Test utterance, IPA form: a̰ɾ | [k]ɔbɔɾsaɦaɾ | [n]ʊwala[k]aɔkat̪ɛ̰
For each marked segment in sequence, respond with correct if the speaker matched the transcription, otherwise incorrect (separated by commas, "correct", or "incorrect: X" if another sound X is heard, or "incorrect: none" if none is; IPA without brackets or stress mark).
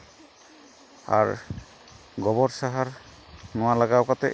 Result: incorrect: ɡ, correct, incorrect: ɡ